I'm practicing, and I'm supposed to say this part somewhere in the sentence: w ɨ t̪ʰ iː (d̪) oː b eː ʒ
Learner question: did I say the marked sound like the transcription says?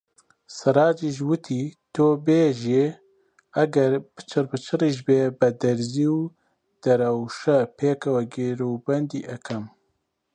no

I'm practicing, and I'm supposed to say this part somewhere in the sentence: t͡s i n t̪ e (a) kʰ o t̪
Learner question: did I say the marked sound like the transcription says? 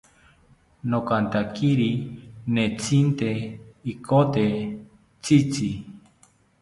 no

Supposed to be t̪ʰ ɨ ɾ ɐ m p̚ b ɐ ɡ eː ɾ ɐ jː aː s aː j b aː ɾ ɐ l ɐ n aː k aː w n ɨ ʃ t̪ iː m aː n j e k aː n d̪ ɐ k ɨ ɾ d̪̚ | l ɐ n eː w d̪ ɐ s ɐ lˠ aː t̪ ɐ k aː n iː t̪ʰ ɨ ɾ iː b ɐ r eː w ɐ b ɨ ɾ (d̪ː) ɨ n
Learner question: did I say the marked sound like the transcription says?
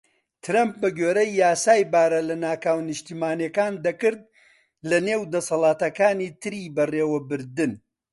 no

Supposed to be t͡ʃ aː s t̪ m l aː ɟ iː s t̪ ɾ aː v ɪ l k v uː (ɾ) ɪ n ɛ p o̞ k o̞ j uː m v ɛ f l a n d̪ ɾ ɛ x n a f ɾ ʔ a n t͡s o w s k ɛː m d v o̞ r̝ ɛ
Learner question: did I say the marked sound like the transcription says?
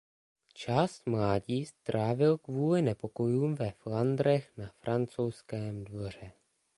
no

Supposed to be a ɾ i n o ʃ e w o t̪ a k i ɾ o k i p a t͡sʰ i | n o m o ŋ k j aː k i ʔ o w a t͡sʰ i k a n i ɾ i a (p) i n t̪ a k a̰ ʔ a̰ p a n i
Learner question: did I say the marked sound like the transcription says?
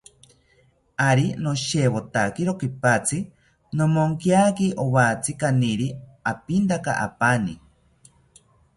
yes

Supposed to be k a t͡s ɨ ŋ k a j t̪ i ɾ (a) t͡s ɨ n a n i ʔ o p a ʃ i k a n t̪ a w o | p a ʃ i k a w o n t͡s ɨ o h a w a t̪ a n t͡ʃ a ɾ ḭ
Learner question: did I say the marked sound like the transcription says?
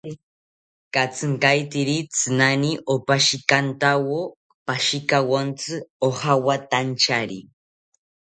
no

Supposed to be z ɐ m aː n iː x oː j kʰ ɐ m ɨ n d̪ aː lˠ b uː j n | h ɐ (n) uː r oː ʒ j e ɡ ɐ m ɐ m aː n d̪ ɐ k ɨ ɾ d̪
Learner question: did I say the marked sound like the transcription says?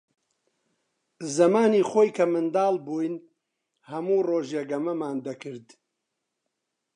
no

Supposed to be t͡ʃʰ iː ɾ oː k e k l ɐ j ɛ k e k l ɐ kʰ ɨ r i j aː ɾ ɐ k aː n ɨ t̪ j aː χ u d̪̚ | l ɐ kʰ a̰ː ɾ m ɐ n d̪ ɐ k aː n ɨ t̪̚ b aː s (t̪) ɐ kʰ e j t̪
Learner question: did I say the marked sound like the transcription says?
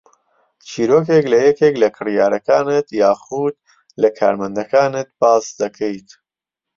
no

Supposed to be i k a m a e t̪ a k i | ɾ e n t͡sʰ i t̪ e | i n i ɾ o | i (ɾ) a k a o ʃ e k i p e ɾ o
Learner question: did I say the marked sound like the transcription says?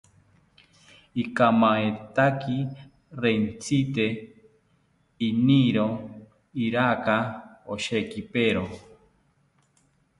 yes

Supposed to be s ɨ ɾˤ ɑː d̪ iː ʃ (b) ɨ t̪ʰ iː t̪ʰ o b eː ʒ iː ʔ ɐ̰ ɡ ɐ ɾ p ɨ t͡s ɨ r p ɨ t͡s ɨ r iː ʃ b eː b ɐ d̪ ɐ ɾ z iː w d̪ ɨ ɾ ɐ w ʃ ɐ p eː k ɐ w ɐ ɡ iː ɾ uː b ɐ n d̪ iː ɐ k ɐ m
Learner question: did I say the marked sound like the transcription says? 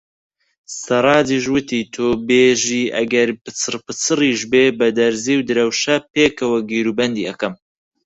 no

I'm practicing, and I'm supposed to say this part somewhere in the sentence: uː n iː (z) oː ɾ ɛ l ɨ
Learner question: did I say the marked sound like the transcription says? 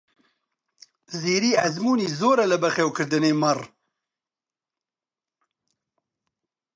yes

